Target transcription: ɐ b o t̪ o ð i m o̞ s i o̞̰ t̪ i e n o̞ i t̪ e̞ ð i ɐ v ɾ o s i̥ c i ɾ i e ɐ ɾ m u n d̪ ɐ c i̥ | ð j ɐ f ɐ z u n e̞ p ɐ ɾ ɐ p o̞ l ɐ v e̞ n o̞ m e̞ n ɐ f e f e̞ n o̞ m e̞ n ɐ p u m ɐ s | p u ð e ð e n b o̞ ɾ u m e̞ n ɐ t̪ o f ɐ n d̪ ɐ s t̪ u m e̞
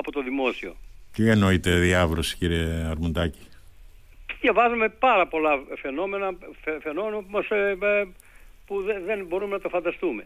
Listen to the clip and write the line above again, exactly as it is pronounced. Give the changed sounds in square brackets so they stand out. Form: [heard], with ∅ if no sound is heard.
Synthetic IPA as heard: ɐ [p] o t̪ o ð i m o̞ s i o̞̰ t̪ i e n o̞ i t̪ e̞ ð i ɐ v ɾ o s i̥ c i ɾ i e ɐ ɾ m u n d̪ ɐ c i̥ | ð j ɐ [v] ɐ z u [m] e̞ p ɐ ɾ ɐ p o̞ l ɐ [f] e̞ n o̞ m e̞ n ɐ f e f e̞ n o̞ m e̞ n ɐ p u m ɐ s | p u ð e ð e n b o̞ ɾ u m e̞ n ɐ t̪ o f ɐ n d̪ ɐ s t̪ u m e̞